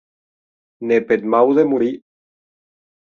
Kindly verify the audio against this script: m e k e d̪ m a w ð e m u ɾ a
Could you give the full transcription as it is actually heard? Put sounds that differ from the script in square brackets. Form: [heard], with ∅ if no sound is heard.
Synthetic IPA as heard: [n] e [p] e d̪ m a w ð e m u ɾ [i]